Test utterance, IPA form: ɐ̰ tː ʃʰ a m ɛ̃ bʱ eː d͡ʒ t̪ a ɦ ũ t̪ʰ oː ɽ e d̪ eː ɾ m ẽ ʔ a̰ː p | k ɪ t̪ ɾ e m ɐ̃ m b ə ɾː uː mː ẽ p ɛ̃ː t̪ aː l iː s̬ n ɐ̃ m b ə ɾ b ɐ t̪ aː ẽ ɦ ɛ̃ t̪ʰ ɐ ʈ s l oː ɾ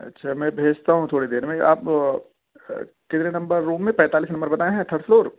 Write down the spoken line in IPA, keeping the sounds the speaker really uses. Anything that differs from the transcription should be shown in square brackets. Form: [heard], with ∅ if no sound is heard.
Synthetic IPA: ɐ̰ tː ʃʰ a m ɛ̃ bʱ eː d͡ʒ t̪ a ɦ ũ t̪ʰ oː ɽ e d̪ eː ɾ m ẽ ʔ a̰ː p | k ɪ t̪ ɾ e [n] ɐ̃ m b ə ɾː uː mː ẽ p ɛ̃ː t̪ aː l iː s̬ n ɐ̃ m b ə ɾ b ɐ t̪ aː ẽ ɦ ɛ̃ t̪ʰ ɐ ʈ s l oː ɾ